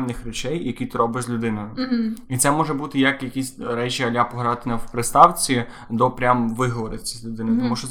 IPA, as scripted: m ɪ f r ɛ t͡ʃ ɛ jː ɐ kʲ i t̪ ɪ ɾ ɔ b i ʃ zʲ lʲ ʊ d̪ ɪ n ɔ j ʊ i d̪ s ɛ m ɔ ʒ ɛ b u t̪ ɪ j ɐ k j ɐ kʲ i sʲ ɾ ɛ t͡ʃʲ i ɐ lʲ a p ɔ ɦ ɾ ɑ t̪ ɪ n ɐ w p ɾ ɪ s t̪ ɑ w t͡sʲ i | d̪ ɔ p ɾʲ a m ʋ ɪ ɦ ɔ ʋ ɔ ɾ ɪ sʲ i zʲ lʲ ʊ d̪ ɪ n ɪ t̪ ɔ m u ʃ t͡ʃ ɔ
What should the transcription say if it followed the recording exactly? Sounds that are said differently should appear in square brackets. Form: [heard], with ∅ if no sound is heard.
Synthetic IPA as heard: [n] ɪ [x] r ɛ t͡ʃ ɛ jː ɐ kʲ i t̪ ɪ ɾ ɔ b [ɪ] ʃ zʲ lʲ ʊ d̪ ɪ n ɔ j ʊ i [t̪] s ɛ m ɔ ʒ ɛ b u t̪ ɪ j ɐ k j ɐ kʲ i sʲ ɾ ɛ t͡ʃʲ i ɐ lʲ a p ɔ ɦ ɾ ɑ t̪ ɪ n ɐ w p ɾ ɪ s t̪ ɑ w t͡sʲ i | d̪ ɔ p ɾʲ a m ʋ ɪ ɦ ɔ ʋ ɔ ɾ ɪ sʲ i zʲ lʲ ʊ d̪ ɪ n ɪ t̪ ɔ m u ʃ t͡ʃ ɔ